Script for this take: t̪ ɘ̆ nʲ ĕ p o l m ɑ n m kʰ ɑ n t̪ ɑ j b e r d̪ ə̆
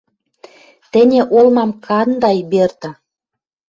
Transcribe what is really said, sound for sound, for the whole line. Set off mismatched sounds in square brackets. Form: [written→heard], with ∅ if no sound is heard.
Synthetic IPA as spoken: t̪ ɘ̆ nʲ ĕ [p→ʔ] o l m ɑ [n→∅] m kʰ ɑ n [t̪→d̪] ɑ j b e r [d̪→t̪] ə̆